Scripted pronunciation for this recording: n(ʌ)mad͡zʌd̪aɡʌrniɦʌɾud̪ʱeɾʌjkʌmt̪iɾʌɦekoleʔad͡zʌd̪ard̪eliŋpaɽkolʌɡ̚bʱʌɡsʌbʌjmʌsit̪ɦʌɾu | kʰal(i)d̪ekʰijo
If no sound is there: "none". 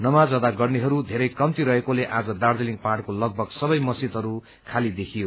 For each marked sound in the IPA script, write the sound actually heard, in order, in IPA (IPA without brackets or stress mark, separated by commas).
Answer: ʌ, i